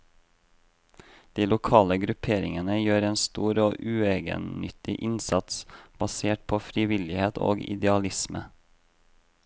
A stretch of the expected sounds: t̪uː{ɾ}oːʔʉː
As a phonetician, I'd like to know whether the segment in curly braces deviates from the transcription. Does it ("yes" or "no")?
no